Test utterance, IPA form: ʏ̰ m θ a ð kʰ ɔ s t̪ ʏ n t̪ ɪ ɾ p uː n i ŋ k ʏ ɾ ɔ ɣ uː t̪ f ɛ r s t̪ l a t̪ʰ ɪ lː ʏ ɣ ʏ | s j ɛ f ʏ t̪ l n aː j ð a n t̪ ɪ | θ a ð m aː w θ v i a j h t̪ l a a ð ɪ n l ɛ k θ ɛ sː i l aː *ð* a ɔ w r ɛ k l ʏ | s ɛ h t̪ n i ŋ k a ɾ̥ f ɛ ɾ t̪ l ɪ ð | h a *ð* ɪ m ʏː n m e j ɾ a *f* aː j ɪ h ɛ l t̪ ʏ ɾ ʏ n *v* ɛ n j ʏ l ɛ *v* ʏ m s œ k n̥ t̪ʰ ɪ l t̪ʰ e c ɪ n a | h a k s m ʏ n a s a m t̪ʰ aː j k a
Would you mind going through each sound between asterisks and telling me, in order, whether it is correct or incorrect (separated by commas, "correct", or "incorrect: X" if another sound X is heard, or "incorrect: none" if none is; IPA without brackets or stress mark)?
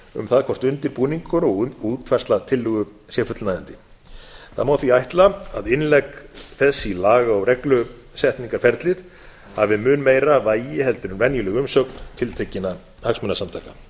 incorrect: ɣ, incorrect: v, incorrect: v, correct, incorrect: ɣ